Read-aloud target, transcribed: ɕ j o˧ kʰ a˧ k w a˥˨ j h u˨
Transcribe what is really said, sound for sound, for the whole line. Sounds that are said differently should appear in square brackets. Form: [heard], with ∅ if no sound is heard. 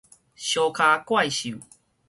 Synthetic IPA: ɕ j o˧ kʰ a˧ k w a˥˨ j [ɕ] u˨